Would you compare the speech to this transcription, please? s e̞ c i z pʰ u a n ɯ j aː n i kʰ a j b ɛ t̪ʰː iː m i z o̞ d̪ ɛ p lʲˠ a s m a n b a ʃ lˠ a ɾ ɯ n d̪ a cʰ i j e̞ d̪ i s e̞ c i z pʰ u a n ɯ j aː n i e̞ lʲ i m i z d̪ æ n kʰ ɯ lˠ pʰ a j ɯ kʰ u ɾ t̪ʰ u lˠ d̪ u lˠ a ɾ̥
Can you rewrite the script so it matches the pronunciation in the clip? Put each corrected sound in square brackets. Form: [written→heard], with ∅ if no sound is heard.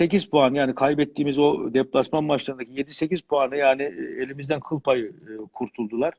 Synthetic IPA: s e̞ c i z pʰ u a n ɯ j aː n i kʰ a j b ɛ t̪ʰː iː m i z o̞ d̪ ɛ p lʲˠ a s m a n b a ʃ lˠ a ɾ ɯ n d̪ a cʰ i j e̞ d̪ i s e̞ c i z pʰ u a n ɯ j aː n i e̞ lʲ i m i z d̪ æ n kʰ ɯ lˠ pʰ a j ɯ kʰ u ɾ t̪ʰ u lˠ d̪ u lˠ a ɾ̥